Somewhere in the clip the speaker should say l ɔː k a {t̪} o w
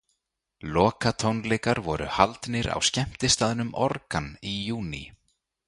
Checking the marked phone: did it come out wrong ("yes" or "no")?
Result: yes